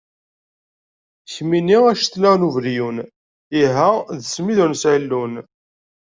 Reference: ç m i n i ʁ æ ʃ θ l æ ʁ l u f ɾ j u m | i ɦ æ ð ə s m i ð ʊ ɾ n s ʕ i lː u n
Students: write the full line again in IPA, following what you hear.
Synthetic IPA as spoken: ç m i n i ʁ æ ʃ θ l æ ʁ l u v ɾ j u n | i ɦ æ ð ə s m i ð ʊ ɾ n s ʕ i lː u n

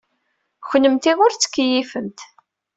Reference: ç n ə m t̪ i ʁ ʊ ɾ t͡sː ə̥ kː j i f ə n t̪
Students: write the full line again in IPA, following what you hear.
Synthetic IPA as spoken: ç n ə m t̪ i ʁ ʊ ɾ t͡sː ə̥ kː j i f ə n t̪

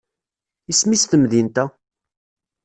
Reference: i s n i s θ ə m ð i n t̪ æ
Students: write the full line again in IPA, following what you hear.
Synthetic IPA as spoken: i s m i s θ ə m ð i n t̪ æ

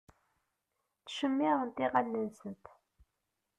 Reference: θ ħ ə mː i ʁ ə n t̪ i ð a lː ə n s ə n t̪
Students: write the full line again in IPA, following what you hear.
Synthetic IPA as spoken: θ ʃ ə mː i ʁ ə n t̪ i ʁ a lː ə n s ə n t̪

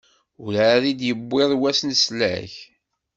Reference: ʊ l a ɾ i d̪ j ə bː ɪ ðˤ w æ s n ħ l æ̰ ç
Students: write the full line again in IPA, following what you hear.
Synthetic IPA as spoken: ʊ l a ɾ i d̪ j ə bː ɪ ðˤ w æ s n s l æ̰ ç

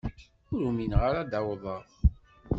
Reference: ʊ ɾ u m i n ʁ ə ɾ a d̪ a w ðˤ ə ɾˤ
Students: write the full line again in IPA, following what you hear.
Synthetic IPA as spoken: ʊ ɾ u m i n ʁ a ɾ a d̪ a w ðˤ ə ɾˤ

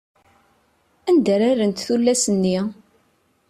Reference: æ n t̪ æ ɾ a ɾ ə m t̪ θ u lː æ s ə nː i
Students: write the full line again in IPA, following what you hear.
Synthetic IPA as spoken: æ n d̪ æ ɾ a ɾ ə n t̪ θ u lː æ s ə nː i

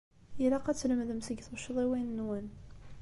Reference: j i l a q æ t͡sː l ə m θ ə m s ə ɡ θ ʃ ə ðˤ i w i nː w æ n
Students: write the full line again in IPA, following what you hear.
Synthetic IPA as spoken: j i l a q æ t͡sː l ə m ð ə m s ə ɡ θ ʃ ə ðˤ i w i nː w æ n

